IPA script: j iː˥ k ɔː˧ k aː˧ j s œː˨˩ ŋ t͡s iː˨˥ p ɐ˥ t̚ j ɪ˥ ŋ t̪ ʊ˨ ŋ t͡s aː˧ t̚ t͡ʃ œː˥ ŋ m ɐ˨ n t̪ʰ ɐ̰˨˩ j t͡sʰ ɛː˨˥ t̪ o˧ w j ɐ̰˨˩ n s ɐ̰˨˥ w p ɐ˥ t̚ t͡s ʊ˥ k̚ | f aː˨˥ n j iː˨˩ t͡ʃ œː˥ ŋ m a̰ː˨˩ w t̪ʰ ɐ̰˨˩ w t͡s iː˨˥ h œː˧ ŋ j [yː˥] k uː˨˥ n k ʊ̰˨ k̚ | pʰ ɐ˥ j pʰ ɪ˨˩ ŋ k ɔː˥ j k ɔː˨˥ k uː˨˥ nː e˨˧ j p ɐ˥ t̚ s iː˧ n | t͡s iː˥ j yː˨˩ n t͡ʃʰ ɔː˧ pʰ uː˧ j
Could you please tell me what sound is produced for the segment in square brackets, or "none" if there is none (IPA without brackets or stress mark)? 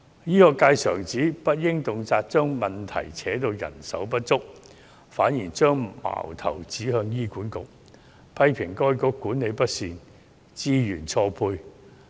iː˥